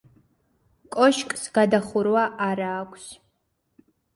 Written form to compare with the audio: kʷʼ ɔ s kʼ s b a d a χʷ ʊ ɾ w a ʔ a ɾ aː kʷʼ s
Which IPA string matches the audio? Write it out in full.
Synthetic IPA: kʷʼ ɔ ʃ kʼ s ɡ a d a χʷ ʊ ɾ w a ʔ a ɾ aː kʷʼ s